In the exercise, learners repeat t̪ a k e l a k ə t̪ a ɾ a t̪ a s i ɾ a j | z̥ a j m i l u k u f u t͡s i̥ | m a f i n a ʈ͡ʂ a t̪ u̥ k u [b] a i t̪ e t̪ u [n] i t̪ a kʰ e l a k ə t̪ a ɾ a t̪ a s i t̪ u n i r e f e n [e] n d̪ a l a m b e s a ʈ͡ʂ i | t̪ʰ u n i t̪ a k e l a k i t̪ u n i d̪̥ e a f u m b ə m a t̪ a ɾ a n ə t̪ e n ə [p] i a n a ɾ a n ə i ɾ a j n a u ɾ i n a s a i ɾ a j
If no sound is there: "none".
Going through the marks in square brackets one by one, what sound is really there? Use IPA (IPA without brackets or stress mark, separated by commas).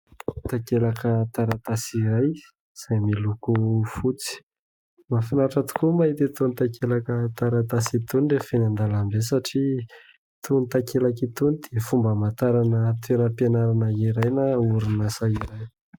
m, n, a, p